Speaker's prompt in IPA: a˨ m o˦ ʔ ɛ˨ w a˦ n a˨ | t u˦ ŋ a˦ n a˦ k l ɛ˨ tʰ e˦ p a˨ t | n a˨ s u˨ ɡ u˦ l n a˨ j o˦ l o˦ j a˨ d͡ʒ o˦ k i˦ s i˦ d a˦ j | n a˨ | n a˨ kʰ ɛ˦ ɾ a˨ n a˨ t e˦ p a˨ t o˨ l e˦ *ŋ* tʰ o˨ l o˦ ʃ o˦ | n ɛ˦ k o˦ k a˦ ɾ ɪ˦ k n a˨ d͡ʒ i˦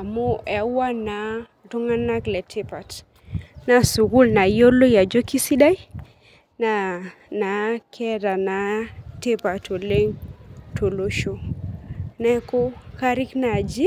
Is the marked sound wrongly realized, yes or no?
no